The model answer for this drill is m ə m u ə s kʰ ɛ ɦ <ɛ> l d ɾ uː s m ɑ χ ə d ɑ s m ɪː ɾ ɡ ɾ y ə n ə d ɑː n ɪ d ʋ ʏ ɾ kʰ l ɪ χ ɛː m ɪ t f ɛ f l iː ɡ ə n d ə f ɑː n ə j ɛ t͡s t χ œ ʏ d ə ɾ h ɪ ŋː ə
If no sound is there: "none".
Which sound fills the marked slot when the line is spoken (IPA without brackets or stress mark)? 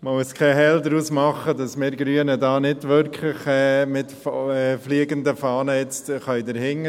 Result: ɛ